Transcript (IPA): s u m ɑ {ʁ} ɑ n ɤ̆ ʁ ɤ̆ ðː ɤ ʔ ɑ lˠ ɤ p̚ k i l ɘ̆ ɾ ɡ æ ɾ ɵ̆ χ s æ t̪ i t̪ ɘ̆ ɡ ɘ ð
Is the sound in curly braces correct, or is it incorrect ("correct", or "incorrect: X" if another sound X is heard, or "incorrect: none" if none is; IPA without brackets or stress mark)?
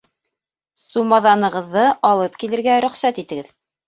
incorrect: ð